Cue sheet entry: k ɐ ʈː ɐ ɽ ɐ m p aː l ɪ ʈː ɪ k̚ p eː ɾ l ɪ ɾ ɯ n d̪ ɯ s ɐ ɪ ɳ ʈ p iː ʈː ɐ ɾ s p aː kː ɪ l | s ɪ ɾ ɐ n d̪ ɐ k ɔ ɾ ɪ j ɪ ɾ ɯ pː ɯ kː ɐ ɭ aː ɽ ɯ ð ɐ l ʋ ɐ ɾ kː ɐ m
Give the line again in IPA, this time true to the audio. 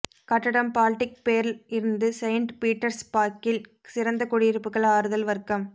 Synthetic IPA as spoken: k ɐ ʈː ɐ ɽ ɐ m p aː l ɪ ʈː ɪ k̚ p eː ɾ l ɪ ɾ ɯ n d̪ ɯ s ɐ ɪ ɳ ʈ p iː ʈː ɐ ɾ s p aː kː ɪ l | s ɪ ɾ ɐ n d̪ ɐ k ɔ ɽ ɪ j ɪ ɾ ɯ pː ɯ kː ɐ ɭ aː ɾ ɯ ð ɐ l ʋ ɐ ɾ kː ɐ m